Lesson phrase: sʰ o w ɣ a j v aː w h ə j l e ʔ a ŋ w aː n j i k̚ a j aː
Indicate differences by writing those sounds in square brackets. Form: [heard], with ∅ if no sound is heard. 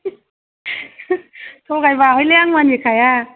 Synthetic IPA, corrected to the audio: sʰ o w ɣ a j v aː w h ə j l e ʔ a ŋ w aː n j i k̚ a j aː

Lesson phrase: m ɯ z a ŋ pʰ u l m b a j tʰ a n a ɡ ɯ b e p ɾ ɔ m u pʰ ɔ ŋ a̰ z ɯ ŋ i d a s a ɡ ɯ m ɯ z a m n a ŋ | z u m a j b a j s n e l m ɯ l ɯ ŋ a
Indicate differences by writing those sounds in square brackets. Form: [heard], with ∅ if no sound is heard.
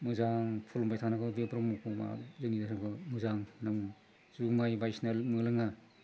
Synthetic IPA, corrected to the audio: m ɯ z a ŋ pʰ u l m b a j tʰ a n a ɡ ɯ b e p ɾ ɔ m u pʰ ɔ [m] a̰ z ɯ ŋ i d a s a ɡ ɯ m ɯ z a [ŋ] n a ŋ | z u m a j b a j s n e l m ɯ l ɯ ŋ a

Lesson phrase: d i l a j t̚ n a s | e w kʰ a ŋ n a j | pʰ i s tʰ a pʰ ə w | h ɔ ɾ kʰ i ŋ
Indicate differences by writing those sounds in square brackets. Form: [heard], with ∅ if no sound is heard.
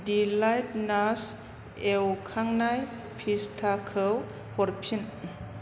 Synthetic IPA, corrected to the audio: d i l a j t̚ n a s | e w kʰ a ŋ n a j | pʰ i s tʰ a [kʰ] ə w | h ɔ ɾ [pʰ] i [n]

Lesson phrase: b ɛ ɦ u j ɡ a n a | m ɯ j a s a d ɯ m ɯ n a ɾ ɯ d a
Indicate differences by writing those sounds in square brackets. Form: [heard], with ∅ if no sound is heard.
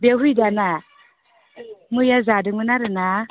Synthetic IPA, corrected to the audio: b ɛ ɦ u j [d] a n a | m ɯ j a [z] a d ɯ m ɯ n a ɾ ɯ [n] a

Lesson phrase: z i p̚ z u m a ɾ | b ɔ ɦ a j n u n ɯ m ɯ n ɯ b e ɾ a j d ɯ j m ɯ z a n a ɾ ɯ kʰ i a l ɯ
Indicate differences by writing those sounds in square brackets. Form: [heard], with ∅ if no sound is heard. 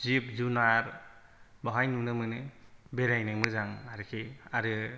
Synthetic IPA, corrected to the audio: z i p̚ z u [n] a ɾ | b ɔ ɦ a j n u n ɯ m ɯ n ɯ b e ɾ a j [n] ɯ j m ɯ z a [ŋ] a ɾ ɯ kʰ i a [ɾ] ɯ

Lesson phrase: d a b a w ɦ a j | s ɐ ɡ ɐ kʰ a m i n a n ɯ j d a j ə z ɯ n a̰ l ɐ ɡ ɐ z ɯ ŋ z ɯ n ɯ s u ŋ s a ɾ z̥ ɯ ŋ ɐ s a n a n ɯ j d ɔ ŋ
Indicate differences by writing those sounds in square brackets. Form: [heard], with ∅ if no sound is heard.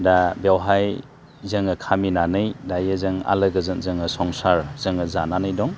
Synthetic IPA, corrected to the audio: d a b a w ɦ a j | [z] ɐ [ŋ] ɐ kʰ a m i n a n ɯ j d a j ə z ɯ [ŋ] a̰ l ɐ ɡ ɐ z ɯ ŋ z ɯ [ŋ] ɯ s [ɔ] ŋ s a ɾ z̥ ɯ ŋ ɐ [z] a n a n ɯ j d ɔ ŋ

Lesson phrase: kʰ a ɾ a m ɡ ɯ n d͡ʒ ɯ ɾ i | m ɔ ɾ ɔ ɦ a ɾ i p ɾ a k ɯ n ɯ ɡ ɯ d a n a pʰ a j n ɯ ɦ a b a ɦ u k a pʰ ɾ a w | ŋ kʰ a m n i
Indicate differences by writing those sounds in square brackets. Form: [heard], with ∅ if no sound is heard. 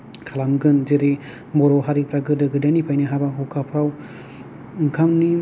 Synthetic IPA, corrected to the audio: kʰ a [l] a m ɡ ɯ n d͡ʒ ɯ ɾ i | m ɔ ɾ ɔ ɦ a ɾ i p ɾ a [ɡ] ɯ [d] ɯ ɡ ɯ d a n [i] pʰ a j n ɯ ɦ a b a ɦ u k a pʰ ɾ a w | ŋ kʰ a m n i

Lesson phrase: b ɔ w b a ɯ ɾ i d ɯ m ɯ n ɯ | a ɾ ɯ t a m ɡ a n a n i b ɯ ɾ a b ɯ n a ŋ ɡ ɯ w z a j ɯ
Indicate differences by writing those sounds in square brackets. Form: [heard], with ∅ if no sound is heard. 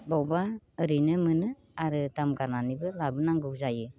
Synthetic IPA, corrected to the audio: b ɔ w b a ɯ ɾ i [n] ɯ m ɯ n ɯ | a ɾ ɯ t a m ɡ a n a n i b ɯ [l] a b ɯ n a ŋ ɡ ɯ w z a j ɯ

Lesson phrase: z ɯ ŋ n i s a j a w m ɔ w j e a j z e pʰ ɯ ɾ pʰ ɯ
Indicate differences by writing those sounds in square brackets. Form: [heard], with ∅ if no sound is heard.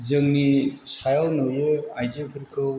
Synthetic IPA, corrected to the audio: z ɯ ŋ n i s a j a w [n] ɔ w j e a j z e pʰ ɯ ɾ [kʰ] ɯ

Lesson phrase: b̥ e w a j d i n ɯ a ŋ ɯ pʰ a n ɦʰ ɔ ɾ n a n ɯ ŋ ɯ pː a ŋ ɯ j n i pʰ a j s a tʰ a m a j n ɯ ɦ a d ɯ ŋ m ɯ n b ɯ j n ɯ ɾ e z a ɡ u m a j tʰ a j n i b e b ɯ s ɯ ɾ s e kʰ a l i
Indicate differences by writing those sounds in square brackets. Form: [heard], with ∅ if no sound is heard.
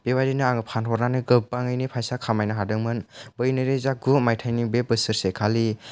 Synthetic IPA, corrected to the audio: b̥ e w a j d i n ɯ a ŋ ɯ pʰ a n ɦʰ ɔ ɾ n a n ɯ [ɡ] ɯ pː a ŋ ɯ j n i pʰ a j s a [kʰ] a m a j n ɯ ɦ a d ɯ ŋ m ɯ n b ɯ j n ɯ ɾ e z a ɡ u m a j tʰ a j n i b e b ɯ s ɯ ɾ s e kʰ a l i

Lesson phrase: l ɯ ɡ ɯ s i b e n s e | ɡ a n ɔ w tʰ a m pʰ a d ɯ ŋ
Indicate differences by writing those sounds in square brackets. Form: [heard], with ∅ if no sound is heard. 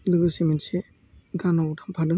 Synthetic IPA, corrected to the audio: l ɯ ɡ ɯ s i [m] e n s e | ɡ a n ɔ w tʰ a m pʰ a d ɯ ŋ

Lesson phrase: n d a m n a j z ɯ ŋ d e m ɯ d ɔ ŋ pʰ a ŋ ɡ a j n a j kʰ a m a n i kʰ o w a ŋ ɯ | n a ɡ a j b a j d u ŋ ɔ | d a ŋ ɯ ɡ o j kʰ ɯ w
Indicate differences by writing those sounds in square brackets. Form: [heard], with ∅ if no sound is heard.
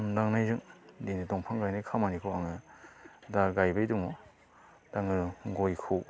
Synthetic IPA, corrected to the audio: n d a [ŋ] n a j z ɯ ŋ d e [n] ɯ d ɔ ŋ pʰ a ŋ ɡ a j n a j kʰ a m a n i kʰ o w a ŋ ɯ | [d] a ɡ a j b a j d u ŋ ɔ | d a ŋ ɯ ɡ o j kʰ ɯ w

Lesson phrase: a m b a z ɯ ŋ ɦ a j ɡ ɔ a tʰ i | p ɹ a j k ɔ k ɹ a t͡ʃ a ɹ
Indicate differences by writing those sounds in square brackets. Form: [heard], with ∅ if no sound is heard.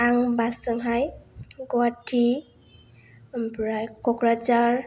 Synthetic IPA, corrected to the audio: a [ŋ] b a [s] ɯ ŋ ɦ a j ɡ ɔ a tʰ i | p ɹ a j k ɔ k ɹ a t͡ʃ a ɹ

